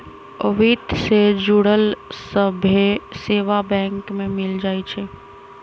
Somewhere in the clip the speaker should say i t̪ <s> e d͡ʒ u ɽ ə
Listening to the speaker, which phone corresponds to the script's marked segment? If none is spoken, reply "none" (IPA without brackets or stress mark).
s